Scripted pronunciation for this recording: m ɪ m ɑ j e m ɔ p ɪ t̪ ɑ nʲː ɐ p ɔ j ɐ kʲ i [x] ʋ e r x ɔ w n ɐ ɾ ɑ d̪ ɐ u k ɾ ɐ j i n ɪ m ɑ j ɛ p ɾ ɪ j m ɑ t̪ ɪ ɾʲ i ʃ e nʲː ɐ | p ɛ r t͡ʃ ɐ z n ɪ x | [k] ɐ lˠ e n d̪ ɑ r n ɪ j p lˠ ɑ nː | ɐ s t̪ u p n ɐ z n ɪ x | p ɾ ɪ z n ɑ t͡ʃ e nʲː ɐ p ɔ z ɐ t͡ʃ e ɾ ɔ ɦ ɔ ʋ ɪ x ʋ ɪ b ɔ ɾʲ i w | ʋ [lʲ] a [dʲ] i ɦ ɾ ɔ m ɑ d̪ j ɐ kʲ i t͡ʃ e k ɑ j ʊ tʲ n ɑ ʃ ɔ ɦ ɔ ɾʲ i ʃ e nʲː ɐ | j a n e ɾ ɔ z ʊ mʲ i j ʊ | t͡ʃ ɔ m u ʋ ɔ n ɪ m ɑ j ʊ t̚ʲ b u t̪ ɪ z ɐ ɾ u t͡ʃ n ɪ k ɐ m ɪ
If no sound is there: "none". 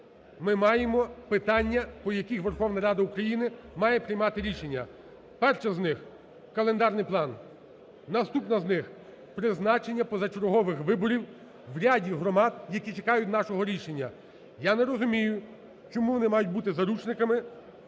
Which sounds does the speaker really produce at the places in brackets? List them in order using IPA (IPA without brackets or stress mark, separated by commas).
x, k, ɾʲ, dʲ